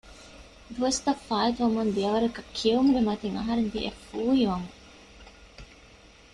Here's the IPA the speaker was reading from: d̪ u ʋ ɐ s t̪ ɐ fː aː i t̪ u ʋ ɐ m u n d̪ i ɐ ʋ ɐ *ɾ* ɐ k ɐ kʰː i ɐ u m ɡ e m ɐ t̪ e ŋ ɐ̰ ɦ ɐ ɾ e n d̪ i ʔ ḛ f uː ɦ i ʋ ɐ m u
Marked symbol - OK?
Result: yes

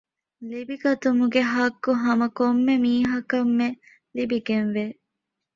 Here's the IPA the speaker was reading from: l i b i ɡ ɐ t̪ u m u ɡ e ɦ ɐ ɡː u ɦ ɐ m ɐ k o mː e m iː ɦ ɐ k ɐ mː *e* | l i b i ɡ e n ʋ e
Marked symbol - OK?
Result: yes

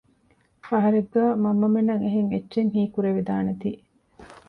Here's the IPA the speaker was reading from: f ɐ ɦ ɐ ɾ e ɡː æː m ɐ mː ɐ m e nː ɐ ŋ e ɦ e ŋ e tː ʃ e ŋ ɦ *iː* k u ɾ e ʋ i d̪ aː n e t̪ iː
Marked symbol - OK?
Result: yes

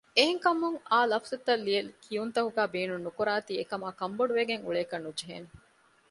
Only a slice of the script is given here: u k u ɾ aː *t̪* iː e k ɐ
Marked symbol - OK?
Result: yes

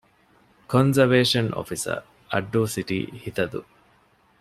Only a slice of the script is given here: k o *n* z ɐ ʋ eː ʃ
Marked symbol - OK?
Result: yes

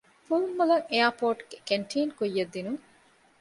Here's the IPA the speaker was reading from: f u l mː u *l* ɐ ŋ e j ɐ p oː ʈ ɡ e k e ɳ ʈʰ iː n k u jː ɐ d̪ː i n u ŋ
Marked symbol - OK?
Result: yes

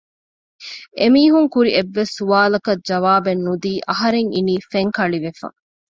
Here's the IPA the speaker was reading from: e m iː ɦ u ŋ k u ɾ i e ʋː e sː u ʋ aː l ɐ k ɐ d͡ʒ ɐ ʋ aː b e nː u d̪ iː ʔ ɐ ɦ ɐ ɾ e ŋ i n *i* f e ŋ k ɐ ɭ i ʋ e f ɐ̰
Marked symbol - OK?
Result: no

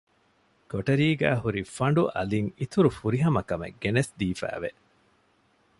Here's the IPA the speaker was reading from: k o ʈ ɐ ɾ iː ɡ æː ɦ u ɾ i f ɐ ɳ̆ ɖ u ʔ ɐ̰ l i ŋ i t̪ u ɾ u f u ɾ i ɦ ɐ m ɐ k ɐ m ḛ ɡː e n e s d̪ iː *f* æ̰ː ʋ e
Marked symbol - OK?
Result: yes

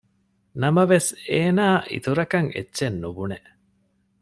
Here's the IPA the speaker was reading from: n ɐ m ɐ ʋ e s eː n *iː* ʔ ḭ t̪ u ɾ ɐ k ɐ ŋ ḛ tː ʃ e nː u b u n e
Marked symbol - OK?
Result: no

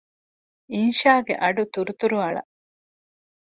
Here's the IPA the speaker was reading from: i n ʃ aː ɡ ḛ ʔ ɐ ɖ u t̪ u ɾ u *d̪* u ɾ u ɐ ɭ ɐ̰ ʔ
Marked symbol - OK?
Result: no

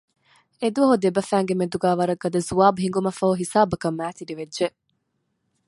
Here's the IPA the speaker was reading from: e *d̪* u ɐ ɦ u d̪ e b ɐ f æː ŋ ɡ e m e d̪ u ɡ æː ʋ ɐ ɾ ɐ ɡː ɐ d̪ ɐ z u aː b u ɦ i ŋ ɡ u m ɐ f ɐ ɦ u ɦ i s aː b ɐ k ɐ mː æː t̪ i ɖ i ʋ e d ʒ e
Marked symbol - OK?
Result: yes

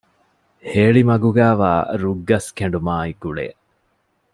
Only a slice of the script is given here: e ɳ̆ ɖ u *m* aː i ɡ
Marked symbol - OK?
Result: yes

